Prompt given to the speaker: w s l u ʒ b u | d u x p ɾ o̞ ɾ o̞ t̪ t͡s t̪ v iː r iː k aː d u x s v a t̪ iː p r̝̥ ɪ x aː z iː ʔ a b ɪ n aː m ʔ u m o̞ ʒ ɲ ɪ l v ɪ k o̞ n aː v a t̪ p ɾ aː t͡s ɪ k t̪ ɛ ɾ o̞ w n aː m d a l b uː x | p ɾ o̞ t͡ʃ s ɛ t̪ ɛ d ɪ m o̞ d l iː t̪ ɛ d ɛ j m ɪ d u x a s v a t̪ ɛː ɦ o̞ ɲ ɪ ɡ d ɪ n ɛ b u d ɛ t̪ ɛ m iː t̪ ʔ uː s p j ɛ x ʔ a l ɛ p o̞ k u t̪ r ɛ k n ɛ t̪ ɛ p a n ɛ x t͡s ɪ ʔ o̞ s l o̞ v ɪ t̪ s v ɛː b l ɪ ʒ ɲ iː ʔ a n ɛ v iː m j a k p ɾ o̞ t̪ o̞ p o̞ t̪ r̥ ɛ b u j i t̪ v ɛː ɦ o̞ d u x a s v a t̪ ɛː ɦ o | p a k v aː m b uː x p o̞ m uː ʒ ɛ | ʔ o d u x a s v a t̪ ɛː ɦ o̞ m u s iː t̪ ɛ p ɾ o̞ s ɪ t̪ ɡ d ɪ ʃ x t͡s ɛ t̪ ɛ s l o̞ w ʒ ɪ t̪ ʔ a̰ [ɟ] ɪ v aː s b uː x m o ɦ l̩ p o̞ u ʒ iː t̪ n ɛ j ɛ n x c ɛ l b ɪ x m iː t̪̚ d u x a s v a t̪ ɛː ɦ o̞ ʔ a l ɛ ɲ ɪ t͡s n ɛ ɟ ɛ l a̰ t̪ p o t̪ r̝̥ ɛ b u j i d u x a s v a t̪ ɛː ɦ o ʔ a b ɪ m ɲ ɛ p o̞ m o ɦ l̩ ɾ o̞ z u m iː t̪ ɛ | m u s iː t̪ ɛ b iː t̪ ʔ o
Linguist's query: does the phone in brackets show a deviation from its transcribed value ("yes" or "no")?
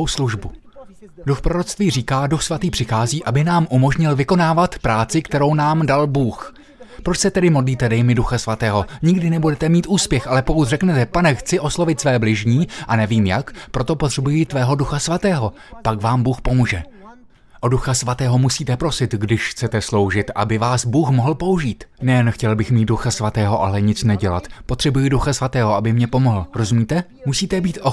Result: yes